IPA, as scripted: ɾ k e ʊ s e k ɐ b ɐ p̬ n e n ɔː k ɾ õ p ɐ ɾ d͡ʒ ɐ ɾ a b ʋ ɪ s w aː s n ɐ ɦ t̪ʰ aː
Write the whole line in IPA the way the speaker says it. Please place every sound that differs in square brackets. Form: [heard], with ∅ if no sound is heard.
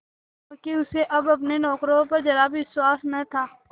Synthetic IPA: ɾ k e ʊ s e [ʔ] ɐ b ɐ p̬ n e n ɔː k ɾ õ p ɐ ɾ d͡ʒ ɐ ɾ a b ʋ ɪ s w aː s n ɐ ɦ t̪ʰ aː